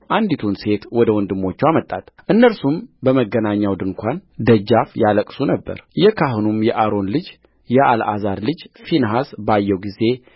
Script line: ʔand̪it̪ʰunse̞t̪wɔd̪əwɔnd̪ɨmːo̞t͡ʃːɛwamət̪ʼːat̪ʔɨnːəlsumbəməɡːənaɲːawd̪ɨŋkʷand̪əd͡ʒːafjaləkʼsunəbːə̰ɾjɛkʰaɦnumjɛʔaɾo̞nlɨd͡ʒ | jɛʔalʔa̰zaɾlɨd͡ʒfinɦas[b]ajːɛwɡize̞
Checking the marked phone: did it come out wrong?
no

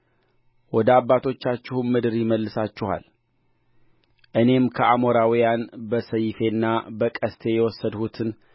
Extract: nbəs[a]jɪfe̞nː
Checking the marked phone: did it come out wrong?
yes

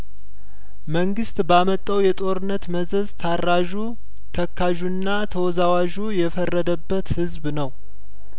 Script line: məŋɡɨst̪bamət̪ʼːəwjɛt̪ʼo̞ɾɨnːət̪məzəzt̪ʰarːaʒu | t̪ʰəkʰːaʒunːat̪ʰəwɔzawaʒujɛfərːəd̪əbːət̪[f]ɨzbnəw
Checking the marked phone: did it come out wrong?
yes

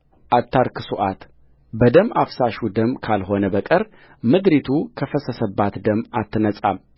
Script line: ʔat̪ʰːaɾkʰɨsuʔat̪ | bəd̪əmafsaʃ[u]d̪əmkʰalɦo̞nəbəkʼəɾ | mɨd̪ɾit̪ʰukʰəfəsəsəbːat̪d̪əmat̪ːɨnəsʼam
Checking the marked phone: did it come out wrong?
no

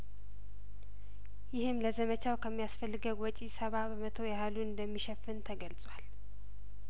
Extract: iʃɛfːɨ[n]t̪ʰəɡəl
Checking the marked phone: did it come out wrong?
no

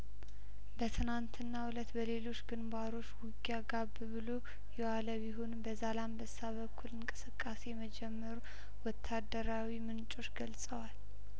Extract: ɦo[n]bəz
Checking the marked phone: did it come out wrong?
no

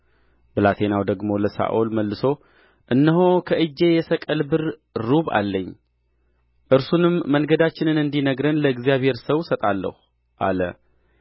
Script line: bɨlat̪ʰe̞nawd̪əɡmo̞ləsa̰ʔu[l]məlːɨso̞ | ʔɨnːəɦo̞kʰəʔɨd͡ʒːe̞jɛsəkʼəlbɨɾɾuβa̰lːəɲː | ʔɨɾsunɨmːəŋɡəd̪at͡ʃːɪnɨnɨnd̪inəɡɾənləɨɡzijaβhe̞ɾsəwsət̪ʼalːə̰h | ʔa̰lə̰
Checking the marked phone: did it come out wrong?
no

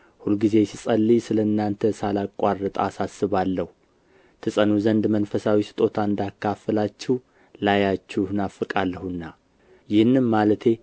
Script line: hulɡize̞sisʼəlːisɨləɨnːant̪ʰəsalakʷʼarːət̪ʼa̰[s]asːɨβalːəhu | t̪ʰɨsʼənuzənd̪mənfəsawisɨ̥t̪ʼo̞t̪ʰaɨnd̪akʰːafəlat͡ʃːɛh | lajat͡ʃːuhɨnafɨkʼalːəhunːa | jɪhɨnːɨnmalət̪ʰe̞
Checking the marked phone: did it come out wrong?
no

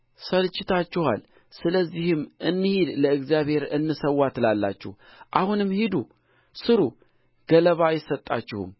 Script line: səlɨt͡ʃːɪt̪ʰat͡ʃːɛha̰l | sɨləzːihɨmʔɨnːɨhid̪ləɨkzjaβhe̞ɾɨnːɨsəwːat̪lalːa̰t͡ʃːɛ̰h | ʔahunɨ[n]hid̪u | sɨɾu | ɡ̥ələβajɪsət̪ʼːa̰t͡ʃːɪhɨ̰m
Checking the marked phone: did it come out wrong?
yes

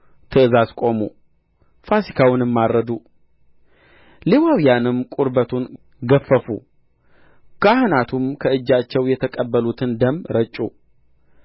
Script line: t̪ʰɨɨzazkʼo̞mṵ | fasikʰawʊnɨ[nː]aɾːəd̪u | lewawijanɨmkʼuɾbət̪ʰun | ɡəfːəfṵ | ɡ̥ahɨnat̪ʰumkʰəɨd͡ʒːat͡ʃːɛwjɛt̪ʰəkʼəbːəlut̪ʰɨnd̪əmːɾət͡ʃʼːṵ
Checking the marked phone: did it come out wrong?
yes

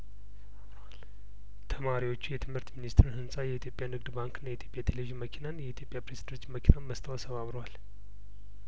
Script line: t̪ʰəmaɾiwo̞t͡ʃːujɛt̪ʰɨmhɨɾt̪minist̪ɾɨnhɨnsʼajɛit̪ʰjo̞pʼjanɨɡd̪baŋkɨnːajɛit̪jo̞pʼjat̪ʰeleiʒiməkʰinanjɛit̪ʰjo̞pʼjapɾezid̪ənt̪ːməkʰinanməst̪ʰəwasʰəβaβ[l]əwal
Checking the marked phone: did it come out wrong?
yes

